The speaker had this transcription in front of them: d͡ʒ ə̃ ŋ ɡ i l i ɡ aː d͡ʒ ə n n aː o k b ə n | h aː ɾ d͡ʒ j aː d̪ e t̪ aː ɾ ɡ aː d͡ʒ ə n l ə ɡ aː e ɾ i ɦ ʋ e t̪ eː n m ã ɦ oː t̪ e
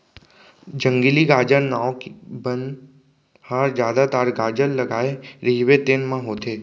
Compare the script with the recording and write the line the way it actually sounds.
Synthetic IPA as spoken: d͡ʒ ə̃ ŋ ɡ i l i ɡ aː d͡ʒ ə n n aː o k b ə n | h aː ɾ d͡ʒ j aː d̪ a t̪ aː ɾ ɡ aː d͡ʒ ə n l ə ɡ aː e ɾ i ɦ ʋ e t̪ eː n m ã ɦ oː t̪ e